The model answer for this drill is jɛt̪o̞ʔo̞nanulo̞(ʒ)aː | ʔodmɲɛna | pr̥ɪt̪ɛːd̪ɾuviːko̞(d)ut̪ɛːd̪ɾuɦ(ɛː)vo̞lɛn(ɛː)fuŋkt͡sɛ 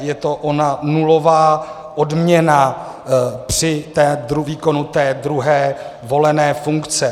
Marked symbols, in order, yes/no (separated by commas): no, no, yes, yes